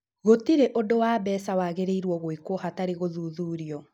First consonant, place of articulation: velar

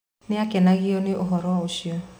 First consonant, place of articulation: alveolar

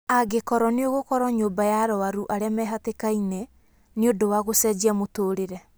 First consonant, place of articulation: velar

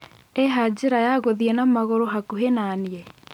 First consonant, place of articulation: glottal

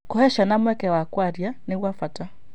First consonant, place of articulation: velar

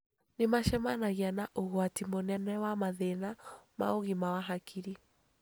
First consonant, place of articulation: alveolar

